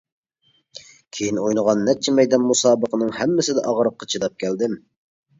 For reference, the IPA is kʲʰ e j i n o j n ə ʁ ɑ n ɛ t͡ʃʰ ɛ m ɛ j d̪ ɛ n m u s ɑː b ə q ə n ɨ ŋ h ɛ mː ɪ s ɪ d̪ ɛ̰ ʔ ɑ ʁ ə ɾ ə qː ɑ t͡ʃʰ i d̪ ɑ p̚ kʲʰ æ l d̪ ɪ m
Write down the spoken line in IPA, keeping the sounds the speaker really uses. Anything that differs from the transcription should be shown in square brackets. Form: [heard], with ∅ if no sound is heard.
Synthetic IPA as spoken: kʲʰ e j i n o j n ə ʁ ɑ [nː] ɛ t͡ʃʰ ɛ m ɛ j d̪ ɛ n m u s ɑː b ə q ə n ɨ ŋ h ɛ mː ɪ s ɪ d̪ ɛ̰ ʔ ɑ ʁ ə ɾ ə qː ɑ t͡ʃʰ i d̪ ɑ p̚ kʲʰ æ l d̪ ɪ m